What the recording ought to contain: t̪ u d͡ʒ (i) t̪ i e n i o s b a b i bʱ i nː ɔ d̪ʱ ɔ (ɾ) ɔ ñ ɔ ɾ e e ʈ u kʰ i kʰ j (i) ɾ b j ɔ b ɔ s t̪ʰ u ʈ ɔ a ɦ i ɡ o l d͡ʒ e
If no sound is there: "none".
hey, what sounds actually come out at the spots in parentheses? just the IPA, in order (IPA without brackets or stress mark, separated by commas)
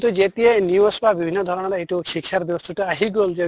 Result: e, ɾ, a